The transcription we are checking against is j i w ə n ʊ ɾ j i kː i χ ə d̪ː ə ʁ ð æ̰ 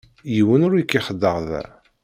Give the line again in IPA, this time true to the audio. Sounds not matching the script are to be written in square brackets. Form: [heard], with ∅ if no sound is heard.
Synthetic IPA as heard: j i w ə n ʊ ɾ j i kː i χ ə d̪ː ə ʁ ð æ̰